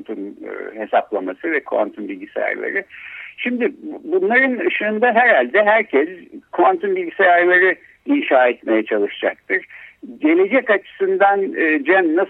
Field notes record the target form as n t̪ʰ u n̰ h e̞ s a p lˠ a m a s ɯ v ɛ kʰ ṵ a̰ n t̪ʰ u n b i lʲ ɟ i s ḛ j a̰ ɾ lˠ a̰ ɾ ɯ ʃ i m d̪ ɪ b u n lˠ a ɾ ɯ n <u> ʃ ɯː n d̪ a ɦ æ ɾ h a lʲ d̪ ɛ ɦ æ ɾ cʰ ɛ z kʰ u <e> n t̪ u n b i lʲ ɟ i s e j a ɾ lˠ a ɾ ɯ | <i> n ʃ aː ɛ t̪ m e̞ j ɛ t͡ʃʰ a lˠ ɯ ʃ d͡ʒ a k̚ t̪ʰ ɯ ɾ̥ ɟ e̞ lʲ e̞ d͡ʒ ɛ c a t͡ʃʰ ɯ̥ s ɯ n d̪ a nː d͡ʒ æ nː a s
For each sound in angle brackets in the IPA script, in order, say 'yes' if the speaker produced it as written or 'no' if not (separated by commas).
no, no, yes